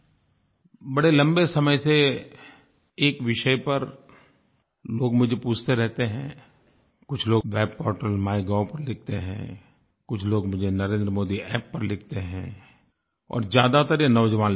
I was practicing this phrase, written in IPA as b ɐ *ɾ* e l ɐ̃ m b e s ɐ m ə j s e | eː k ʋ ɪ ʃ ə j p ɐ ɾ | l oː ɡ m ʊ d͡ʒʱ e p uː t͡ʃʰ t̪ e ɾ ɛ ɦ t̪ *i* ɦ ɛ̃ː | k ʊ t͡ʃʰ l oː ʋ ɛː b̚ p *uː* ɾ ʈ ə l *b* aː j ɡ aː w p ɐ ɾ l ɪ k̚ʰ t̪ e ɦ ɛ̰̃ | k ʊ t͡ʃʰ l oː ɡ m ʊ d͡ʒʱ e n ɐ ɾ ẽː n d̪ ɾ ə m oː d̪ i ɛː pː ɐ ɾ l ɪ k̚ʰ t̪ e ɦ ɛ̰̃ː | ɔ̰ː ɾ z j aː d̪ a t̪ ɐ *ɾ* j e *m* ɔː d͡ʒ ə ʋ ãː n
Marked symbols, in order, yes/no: no, no, no, no, yes, no

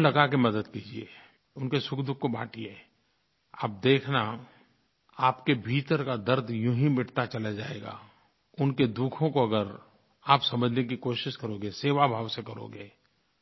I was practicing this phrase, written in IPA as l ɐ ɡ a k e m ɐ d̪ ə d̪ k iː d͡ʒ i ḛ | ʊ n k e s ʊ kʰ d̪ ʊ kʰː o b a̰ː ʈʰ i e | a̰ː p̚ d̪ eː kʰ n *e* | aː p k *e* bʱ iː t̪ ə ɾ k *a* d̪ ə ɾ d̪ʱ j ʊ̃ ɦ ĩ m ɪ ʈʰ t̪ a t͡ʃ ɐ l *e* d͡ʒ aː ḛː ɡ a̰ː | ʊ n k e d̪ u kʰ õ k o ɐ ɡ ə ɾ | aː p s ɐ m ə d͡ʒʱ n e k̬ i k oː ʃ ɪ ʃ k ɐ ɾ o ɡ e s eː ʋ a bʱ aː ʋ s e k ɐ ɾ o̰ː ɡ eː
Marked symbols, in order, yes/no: no, yes, yes, no

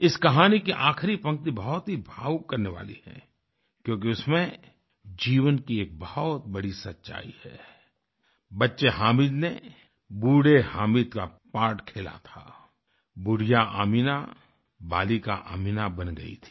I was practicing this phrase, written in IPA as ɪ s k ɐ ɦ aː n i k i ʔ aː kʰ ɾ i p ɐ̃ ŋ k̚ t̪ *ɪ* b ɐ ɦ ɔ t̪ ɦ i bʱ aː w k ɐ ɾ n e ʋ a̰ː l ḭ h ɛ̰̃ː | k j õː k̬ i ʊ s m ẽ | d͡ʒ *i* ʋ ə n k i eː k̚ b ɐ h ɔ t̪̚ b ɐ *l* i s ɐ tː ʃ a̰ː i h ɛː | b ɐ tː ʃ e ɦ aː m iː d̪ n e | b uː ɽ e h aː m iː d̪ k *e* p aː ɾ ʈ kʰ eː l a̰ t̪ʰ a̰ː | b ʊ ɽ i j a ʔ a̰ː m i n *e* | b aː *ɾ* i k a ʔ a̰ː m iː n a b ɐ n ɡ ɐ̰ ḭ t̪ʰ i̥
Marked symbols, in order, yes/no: no, no, no, no, no, no

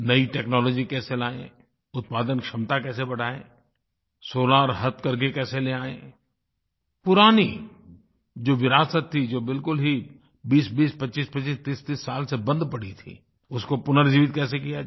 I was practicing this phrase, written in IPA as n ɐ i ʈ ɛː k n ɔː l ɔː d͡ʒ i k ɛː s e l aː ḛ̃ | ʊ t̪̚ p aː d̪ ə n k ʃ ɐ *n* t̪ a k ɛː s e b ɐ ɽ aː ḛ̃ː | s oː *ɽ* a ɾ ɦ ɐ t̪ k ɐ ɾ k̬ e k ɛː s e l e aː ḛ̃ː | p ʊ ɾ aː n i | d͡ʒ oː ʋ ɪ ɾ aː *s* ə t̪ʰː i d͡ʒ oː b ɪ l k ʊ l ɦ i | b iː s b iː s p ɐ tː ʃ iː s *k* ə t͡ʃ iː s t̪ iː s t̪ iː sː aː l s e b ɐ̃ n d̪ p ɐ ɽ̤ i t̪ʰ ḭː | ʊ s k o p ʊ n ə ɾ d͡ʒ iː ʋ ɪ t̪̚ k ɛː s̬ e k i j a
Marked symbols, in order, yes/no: no, no, yes, no

